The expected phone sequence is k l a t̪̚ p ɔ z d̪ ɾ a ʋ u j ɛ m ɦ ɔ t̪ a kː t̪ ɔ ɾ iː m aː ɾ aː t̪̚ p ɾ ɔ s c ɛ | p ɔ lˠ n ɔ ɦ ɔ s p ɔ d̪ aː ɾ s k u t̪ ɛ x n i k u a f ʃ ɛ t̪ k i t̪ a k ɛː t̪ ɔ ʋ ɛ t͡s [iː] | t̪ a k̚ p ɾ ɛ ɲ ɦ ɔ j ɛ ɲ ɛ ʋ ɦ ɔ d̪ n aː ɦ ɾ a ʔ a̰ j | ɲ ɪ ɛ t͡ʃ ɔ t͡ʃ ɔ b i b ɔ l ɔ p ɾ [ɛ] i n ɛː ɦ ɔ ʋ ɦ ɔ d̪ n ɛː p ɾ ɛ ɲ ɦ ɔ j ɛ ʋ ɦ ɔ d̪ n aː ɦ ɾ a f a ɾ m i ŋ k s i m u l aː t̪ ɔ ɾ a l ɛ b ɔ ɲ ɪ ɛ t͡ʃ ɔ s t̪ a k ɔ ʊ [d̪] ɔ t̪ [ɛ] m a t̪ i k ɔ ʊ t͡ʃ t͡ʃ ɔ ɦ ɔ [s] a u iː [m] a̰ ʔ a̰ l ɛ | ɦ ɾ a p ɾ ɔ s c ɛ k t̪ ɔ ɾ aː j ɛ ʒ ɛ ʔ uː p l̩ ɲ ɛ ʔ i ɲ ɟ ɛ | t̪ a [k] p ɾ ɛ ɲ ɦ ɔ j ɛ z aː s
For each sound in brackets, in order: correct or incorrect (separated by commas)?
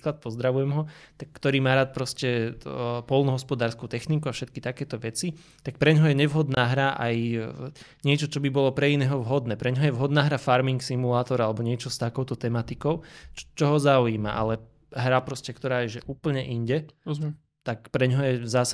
incorrect, correct, incorrect, correct, incorrect, correct, correct